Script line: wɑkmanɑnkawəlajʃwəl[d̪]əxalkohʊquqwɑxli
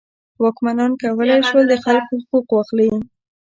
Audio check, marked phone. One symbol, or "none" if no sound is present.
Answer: d̪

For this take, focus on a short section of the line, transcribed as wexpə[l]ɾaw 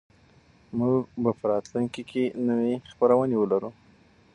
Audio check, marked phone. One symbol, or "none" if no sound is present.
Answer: none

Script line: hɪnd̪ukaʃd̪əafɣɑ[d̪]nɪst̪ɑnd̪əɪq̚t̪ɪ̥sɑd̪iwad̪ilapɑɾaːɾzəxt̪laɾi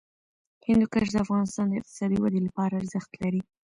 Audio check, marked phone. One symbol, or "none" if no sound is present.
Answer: none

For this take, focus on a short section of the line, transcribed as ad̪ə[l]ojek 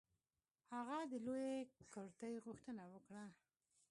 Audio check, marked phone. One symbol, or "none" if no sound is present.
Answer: l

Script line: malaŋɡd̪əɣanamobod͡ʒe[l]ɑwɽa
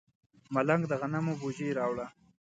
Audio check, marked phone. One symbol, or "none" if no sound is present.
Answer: ɾ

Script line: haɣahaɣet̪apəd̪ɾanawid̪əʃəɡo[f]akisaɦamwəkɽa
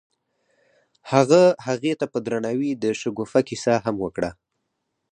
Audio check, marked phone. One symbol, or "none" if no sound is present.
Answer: f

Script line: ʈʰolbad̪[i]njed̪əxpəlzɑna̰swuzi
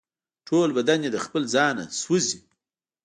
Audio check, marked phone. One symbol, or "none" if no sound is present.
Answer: a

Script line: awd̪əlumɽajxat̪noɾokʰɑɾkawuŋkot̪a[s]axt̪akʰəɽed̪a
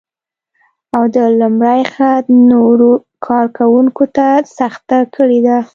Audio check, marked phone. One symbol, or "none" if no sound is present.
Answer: s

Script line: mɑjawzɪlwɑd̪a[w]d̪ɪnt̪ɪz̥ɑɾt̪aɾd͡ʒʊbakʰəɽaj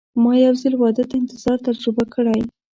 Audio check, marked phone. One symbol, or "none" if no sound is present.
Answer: none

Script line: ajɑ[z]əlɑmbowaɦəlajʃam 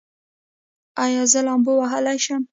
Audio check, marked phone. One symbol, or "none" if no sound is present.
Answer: z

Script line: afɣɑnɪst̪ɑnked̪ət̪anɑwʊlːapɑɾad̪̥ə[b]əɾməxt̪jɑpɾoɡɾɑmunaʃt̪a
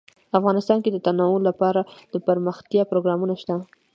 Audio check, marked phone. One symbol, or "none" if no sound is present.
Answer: p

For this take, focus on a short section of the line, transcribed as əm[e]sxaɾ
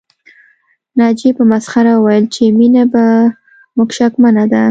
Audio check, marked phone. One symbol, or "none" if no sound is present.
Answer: a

